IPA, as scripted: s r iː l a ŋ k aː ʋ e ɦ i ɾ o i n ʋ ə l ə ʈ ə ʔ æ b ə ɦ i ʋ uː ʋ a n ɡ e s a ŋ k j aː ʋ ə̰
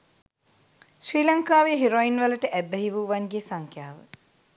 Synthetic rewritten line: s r iː l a ŋ k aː ʋ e ɦ i ɾ o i n ʋ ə l ə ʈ ə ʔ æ b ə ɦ i ʋ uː ʋ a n ɡ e s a ŋ k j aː ʋ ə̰